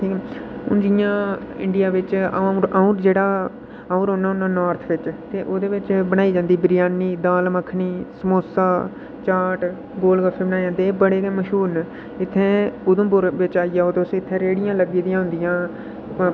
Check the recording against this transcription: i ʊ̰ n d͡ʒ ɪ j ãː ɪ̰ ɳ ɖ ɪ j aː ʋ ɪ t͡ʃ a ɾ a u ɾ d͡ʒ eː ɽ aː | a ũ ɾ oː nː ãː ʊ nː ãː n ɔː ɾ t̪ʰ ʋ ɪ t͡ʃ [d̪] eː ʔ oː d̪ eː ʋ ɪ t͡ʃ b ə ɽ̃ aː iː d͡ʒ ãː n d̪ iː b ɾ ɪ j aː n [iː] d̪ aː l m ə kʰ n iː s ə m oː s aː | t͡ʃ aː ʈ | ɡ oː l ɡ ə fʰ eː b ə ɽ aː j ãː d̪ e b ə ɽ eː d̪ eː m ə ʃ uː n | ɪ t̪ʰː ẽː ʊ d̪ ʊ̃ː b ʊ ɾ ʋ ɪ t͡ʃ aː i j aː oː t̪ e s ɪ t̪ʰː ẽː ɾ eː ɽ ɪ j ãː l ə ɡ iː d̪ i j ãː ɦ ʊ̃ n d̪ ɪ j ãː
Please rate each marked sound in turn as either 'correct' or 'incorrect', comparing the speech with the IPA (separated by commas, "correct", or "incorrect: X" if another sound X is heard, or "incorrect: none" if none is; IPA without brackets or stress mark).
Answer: incorrect: t̪, correct